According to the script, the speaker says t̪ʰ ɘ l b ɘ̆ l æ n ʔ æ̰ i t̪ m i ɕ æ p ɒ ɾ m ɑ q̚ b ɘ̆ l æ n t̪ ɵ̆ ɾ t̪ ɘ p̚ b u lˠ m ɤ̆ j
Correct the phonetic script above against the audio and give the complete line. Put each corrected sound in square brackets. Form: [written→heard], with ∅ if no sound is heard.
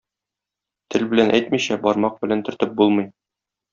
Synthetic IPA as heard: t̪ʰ ɘ l b ɘ̆ l æ n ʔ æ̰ [i→j] t̪ m i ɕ æ [p→b] ɒ ɾ m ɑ q̚ b ɘ̆ l æ n t̪ ɵ̆ ɾ t̪ ɘ p̚ b u lˠ m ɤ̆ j

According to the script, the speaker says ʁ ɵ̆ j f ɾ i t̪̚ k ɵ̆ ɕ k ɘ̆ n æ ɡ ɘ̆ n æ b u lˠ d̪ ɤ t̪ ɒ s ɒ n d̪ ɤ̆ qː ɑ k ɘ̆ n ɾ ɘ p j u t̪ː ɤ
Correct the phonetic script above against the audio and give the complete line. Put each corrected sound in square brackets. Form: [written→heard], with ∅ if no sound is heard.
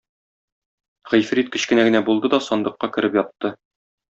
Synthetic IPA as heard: ʁ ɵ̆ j f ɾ i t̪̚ k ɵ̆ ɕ k ɘ̆ n æ ɡ ɘ̆ n æ b u lˠ d̪ ɤ [t̪→d̪] ɒ s ɒ n d̪ ɤ̆ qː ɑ k ɘ̆ [n→∅] ɾ ɘ p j [u→ɒ] t̪ː ɤ

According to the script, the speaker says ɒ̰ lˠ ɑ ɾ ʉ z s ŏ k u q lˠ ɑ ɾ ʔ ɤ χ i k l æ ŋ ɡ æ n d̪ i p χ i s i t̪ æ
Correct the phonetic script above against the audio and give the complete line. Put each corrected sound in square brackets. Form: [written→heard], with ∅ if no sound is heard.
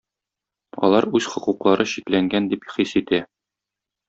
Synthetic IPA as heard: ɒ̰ lˠ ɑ ɾ ʉ z [s→χ] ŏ [k→q] u q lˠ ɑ ɾ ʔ ɤ [χ→ɕ] i k l æ ŋ ɡ æ n d̪ i p χ i s i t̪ æ

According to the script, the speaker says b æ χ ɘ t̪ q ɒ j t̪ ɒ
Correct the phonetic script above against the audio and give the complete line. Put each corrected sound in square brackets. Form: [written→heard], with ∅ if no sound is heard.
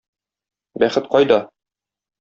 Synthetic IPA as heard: b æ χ ɘ t̪ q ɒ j [t̪→d̪] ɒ

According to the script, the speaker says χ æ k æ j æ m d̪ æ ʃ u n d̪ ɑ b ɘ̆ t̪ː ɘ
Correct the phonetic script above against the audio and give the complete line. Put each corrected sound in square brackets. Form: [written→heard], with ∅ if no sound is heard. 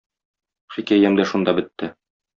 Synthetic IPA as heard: χ [æ→i] k æ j æ m d̪ æ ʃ u n d̪ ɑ b ɘ̆ t̪ː ɘ

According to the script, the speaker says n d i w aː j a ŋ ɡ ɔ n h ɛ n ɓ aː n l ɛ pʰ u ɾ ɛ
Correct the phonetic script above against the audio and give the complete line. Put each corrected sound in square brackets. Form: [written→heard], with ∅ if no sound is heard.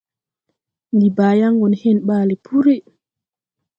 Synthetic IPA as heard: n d i [w→b] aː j a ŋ ɡ ɔ n h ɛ n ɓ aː [n→∅] l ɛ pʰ u ɾ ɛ

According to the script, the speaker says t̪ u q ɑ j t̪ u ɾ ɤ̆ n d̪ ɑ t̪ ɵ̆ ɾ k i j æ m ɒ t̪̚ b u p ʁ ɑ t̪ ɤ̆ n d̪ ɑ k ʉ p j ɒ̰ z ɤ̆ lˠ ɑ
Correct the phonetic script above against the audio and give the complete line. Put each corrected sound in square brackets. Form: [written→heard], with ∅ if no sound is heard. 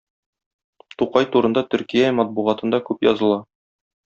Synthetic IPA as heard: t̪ u q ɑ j t̪ u ɾ ɤ̆ n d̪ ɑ t̪ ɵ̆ ɾ k i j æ m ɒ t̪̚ b u [p→∅] ʁ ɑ t̪ ɤ̆ n d̪ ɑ k ʉ p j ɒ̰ z ɤ̆ lˠ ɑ

